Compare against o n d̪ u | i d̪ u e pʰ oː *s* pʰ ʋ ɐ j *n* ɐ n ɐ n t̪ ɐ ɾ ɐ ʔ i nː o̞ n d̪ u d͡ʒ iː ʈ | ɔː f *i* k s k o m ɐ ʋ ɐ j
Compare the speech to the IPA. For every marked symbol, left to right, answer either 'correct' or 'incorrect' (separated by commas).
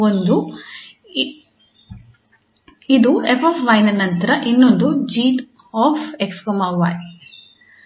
incorrect, correct, incorrect